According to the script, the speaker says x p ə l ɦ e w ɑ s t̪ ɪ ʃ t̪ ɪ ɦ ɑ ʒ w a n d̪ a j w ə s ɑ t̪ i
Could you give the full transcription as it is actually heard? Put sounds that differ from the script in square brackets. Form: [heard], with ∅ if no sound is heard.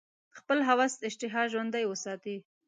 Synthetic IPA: x p ə l ɦ [a] w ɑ s t̪ ɪ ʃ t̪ ɪ ɦ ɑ ʒ w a n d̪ a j w ə s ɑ t̪ i